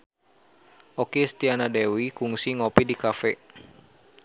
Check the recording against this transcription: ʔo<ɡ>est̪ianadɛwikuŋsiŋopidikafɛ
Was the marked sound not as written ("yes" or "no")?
yes